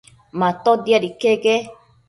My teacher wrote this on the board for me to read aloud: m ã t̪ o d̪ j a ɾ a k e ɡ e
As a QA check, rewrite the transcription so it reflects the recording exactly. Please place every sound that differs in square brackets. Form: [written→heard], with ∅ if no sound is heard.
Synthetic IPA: m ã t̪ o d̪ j a ɾ [a→i] k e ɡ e